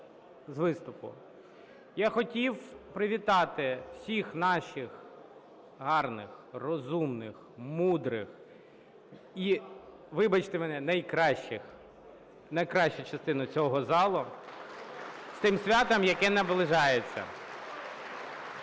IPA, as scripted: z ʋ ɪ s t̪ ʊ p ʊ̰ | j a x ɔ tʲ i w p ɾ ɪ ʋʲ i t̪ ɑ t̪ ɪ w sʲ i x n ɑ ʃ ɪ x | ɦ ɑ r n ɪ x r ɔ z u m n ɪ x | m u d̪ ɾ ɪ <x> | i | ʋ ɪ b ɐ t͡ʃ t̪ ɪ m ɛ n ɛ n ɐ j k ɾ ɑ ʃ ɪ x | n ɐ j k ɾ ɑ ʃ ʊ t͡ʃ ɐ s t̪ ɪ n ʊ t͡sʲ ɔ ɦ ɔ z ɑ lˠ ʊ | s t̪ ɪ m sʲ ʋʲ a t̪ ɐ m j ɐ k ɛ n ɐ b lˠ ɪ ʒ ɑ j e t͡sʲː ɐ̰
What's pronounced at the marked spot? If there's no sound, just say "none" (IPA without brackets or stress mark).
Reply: x